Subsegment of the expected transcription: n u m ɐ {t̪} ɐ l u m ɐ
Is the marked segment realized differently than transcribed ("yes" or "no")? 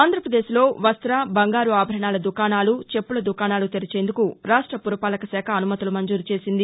no